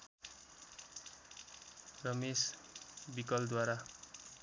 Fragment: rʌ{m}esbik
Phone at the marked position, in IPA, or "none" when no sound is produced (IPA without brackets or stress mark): m